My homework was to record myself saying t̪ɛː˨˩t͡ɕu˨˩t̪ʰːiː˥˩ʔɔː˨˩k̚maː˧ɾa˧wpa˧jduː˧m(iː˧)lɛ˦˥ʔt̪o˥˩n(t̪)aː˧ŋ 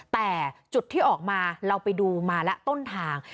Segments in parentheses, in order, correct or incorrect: incorrect: aː˧, incorrect: t̪ʰ

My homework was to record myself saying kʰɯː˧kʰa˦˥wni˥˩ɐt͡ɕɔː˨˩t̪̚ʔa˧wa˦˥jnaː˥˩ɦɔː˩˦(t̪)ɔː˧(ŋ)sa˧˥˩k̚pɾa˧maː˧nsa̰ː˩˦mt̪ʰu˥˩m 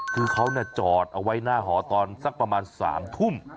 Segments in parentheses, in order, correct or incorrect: correct, incorrect: n

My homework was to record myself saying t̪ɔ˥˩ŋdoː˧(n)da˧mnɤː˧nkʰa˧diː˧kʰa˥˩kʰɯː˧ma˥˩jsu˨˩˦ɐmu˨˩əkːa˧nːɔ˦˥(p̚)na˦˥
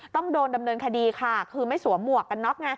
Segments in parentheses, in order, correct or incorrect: correct, incorrect: k̚

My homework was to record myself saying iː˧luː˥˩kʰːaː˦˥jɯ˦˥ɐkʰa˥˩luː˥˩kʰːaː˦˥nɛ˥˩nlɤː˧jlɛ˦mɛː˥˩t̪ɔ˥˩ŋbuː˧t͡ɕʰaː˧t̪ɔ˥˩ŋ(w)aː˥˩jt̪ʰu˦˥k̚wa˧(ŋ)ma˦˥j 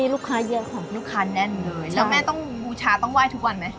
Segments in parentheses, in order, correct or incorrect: correct, incorrect: n

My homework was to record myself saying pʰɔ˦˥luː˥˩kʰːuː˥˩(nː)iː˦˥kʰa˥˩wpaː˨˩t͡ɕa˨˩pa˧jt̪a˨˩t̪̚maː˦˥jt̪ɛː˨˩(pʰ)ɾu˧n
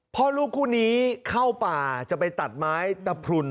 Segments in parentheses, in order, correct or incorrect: incorrect: n, correct

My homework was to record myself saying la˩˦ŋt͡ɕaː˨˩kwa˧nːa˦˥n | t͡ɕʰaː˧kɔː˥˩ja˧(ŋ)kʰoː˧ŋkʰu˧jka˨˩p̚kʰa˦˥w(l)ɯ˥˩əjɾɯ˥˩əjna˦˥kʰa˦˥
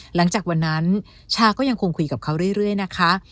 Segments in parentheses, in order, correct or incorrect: correct, incorrect: ɾ

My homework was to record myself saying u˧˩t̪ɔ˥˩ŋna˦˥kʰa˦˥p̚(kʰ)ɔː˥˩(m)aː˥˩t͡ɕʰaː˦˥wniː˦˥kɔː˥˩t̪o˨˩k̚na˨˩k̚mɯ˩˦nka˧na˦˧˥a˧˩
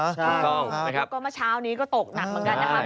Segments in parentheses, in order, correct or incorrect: incorrect: k, correct

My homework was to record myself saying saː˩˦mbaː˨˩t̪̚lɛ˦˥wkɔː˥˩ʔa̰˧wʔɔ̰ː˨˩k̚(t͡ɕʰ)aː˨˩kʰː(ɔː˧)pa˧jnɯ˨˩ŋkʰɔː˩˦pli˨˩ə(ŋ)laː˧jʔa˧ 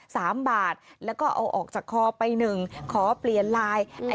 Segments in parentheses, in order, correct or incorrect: incorrect: t͡ɕ, correct, incorrect: n

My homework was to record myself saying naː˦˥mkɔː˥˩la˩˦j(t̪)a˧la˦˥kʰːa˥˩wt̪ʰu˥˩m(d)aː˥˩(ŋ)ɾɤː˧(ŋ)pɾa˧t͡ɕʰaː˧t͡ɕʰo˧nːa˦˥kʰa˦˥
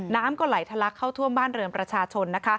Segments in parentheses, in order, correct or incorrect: incorrect: t̪ʰ, incorrect: b, incorrect: n, incorrect: m

